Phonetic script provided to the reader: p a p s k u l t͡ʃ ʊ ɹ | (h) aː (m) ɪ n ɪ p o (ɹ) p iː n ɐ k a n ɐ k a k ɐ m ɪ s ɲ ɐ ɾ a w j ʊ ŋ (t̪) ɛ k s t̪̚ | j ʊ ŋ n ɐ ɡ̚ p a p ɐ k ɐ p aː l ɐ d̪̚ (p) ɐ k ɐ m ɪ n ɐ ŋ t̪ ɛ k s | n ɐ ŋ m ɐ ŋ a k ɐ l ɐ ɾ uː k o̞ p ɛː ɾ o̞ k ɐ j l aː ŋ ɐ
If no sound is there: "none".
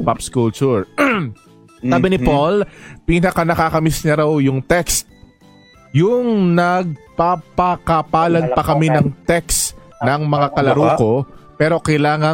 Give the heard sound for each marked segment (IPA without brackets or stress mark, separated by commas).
s, b, l, t̪, p